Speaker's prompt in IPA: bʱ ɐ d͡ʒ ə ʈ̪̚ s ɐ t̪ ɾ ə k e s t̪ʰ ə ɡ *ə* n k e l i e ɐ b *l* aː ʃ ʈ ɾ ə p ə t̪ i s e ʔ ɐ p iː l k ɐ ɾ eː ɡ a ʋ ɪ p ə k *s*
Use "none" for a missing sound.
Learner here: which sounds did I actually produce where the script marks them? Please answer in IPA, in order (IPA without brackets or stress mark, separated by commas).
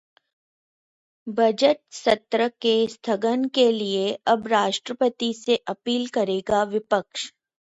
ə, ɾ, ʃ